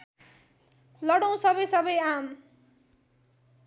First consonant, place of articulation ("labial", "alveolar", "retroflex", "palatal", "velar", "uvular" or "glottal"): alveolar